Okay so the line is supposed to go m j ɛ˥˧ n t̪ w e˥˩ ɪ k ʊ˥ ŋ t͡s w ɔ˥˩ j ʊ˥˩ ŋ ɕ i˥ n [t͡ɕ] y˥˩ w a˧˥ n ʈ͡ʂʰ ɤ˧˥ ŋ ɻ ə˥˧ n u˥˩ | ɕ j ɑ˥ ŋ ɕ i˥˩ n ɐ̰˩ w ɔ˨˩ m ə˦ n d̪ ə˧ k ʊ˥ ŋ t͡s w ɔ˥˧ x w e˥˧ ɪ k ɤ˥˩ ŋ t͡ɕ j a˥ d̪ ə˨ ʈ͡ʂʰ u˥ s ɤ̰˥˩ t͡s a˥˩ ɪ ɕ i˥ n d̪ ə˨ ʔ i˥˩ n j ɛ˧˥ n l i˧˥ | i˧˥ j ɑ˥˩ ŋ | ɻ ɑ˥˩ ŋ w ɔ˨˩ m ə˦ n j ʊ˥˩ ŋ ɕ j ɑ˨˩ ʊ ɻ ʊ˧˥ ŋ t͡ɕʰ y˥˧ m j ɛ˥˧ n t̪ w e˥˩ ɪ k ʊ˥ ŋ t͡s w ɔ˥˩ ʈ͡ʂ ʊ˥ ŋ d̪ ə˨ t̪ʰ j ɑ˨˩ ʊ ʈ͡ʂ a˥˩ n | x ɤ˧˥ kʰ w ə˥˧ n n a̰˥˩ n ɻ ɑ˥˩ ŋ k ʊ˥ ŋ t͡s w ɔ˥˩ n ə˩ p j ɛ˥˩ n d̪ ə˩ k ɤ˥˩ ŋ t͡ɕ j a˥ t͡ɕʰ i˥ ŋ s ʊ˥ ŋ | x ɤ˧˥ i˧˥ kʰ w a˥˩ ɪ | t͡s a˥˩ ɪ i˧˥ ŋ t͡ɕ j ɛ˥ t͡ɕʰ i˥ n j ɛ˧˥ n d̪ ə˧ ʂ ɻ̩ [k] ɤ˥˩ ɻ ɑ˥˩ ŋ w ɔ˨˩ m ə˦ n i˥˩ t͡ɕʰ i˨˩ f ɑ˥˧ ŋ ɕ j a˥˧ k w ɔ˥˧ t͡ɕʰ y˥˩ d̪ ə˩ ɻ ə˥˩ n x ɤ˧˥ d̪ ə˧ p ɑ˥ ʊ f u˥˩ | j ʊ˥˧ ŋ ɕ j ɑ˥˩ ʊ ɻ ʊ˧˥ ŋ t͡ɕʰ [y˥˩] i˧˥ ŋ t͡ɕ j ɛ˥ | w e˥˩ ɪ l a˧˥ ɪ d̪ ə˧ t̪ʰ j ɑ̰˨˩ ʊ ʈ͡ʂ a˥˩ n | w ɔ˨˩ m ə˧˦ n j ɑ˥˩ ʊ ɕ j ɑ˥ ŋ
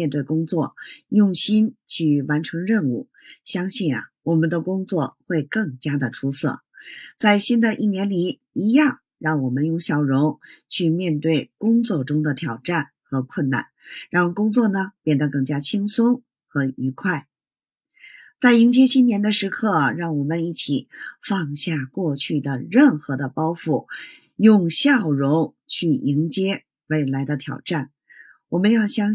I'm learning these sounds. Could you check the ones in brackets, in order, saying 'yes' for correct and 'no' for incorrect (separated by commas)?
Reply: no, no, yes